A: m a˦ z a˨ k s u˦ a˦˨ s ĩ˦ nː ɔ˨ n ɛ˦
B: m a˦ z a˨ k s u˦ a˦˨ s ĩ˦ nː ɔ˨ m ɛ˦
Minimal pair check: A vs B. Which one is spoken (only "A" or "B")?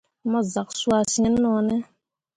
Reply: A